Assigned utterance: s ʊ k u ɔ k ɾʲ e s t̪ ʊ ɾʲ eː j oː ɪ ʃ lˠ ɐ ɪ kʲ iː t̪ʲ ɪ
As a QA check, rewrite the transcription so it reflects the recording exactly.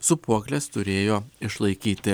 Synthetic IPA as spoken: s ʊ p u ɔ k lʲ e s t̪ ʊ ɾʲ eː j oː ɪ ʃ lˠ ɐ ɪ kʲ iː t̪ʲ ɪ